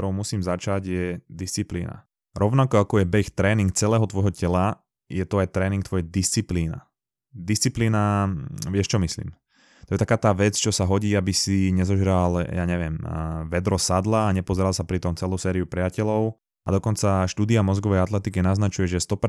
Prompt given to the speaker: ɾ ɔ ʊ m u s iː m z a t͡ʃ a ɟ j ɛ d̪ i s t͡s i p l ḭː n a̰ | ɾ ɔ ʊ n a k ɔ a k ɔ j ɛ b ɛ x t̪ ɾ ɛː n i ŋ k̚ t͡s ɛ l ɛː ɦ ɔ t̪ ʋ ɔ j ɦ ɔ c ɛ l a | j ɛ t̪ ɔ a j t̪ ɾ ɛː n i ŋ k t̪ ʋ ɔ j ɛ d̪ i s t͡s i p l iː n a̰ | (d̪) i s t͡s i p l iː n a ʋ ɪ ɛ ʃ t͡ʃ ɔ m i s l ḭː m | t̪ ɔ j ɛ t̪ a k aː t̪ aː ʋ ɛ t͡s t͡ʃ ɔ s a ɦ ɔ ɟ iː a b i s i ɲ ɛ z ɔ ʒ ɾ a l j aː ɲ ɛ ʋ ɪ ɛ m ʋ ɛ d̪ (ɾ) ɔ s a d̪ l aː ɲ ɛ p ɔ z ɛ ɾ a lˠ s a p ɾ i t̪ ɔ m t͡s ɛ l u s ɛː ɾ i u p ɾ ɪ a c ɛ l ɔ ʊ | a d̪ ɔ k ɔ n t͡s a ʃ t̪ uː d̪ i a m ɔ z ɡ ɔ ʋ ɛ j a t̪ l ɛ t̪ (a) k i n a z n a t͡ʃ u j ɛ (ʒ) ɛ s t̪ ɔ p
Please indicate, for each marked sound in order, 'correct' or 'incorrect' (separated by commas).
correct, correct, incorrect, correct